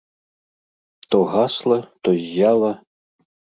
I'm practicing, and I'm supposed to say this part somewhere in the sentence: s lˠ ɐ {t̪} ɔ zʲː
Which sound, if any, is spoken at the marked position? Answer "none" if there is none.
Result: t̪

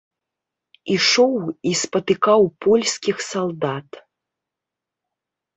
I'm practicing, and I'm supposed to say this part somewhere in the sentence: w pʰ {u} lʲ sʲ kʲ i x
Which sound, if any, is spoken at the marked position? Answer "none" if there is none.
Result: ɔ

